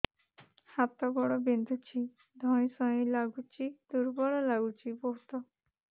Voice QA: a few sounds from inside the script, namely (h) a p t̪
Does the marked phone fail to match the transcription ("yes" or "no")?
no